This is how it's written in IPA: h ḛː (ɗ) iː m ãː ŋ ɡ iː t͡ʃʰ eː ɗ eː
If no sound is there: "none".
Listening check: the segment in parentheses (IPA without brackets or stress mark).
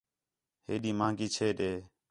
ɗ